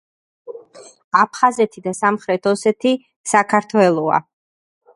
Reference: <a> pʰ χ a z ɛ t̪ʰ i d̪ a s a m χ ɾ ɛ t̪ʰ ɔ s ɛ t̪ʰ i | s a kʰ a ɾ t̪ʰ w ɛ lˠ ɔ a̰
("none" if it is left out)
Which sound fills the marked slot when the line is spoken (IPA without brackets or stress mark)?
a